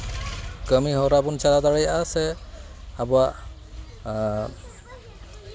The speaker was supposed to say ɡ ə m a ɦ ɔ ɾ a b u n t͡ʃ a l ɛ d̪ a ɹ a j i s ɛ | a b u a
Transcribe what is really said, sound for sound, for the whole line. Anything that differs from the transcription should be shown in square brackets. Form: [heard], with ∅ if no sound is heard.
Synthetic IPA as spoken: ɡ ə m [i] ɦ ɔ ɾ a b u n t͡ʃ a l [a] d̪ a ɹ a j [a] s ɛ | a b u a